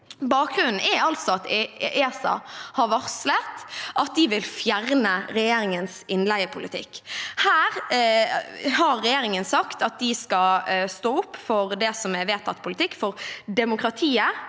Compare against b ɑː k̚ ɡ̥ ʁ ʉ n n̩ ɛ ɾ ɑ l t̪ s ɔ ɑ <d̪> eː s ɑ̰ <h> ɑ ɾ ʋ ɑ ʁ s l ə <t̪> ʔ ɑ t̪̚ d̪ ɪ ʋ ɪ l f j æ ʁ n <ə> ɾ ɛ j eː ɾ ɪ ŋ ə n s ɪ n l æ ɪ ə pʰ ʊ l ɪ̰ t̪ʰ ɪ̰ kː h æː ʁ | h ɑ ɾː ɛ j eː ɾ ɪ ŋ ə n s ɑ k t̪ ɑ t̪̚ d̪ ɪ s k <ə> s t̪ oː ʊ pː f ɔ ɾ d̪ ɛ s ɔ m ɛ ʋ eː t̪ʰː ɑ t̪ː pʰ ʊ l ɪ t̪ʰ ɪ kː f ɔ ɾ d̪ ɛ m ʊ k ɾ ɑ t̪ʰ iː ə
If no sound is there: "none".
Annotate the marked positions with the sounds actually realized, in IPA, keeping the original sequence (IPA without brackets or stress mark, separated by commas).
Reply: t̪, h, t̪, ə, ɑ